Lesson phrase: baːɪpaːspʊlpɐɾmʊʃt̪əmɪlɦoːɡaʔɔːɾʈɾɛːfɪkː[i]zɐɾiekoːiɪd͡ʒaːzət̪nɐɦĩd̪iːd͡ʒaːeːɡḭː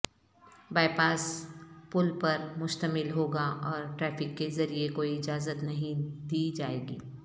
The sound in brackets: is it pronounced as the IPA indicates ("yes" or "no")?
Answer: no